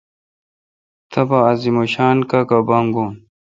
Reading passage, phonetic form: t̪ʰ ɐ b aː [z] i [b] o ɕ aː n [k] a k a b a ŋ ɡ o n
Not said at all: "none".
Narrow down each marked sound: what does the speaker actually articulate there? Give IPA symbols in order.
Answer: z, m, k

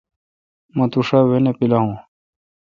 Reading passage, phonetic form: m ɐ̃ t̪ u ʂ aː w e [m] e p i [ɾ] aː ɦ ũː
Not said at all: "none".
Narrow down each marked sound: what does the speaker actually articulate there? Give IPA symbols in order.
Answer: n, l

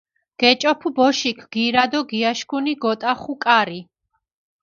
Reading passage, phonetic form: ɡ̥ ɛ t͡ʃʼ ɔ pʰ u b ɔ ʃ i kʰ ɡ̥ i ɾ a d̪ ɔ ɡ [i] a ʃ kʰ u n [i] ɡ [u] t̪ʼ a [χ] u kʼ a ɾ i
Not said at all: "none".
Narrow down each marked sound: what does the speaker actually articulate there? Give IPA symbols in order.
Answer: i, i, ɔ, χ

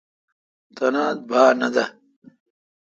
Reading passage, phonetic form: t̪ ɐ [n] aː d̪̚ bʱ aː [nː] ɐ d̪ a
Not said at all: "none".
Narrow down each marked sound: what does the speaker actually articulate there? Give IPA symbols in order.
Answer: n, n

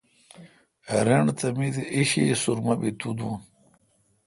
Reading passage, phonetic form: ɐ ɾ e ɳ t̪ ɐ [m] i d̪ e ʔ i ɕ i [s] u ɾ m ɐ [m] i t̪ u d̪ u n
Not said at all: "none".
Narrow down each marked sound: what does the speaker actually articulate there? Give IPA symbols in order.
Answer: m, s, b

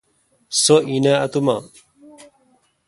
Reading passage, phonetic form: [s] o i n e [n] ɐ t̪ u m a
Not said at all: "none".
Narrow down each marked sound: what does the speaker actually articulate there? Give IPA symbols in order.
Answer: s, none

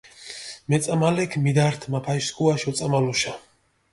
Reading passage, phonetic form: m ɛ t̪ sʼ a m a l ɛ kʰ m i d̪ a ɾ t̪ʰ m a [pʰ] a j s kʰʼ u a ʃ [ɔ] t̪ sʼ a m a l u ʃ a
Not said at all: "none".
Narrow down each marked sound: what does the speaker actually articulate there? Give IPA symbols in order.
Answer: pʰ, ɔ

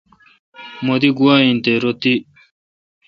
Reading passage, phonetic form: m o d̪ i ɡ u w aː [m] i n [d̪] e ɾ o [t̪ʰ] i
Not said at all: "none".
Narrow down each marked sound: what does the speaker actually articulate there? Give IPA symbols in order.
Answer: none, t̪, t̪

